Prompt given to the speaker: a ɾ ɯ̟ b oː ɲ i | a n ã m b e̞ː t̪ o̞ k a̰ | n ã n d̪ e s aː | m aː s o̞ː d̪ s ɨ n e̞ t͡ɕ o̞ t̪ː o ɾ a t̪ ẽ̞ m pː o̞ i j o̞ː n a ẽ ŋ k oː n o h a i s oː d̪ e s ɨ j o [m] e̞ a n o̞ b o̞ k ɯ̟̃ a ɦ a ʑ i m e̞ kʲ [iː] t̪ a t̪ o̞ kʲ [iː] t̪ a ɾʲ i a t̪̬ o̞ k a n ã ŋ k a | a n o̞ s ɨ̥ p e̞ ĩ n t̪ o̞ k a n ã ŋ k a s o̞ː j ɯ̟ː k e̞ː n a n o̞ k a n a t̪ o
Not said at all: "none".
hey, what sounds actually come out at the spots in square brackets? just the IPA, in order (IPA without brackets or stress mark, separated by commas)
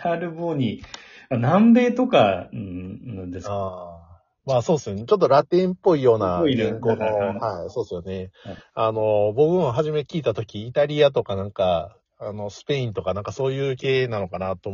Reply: n, iː, iː